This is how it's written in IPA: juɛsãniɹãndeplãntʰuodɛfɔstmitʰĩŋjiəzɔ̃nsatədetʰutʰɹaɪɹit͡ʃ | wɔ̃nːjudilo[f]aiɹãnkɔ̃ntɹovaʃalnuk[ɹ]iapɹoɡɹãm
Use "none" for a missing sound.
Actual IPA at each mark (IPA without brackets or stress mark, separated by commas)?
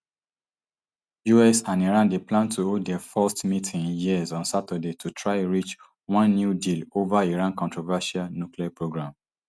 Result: v, l